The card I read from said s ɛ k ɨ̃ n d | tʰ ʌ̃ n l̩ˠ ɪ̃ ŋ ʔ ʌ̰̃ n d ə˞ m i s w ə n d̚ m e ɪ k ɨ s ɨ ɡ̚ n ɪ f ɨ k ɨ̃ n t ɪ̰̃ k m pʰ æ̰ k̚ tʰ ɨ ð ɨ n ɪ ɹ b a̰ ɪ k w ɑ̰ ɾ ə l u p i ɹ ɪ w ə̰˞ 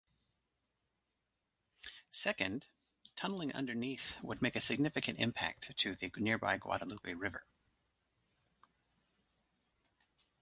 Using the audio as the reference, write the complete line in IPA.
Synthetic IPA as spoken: s ɛ k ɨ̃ n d | tʰ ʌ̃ n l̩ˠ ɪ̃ ŋ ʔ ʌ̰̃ n d ə˞ n i θ w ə d̚ m e ɪ k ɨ s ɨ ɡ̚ n ɪ f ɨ k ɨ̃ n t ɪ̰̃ m pʰ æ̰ k̚ tʰ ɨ ð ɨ n ɪ ɹ b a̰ ɪ ɡ w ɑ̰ ɾ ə l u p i ɹ ɪ v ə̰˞